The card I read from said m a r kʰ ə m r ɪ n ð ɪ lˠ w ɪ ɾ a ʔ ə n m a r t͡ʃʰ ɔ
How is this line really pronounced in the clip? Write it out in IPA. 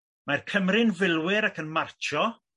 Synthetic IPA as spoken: m a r kʰ ə m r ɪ n v ɪ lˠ w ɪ ɾ a k ə n m a r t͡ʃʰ ɔ